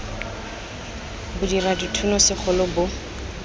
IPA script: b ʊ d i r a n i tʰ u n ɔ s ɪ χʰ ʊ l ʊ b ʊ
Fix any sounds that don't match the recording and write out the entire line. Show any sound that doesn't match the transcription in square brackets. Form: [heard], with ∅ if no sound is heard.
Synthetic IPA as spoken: b ʊ d i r a [d] i tʰ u n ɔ s ɪ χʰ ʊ l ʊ b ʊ